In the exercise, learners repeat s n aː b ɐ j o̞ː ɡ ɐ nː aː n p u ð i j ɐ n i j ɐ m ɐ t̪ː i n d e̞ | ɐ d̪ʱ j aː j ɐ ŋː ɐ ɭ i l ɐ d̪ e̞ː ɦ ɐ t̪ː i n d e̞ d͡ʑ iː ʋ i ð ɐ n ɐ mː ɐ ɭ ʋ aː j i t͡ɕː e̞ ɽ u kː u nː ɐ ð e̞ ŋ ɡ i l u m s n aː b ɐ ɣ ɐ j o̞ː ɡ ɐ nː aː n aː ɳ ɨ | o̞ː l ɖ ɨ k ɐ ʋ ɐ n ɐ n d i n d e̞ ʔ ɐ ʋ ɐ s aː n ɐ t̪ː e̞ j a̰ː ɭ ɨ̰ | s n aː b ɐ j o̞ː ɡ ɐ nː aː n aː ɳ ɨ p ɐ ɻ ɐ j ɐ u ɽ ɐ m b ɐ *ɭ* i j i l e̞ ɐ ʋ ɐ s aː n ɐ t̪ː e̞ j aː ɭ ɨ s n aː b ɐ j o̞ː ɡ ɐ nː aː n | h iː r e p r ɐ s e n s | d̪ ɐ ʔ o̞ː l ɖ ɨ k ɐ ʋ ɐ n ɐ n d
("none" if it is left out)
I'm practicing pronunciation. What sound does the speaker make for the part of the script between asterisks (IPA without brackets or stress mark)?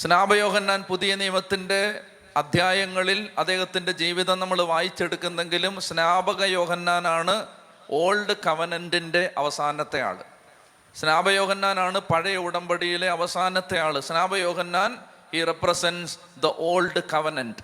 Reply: ɽ